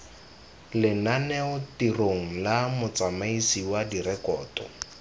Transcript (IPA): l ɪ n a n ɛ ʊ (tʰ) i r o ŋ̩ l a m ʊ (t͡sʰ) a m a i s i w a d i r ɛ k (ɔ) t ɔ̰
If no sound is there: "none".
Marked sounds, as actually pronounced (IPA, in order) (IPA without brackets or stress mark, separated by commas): t, t͡s, ɔː